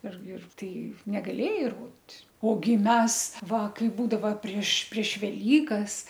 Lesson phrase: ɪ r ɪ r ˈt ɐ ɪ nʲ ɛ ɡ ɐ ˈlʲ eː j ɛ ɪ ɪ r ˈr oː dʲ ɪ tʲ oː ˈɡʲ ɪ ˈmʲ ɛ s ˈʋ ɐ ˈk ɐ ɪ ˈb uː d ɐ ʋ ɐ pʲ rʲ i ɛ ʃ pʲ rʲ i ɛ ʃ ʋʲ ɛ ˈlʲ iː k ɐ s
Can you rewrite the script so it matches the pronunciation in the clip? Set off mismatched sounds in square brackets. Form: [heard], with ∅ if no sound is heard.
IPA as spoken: ɪ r ɪ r ˈt ɐ ɪ nʲ ɛ ɡ ɐ ˈlʲ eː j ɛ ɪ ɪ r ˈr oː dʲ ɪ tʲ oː ˈɡʲ ɪ ˈmʲ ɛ s ˈʋ ɐ ˈk ɐ ɪ ˈb uː d ɐ ʋ ɐ pʲ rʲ i ɛ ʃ pʲ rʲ i ɛ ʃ ʋʲ ɛ ˈlʲ iː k ɐ s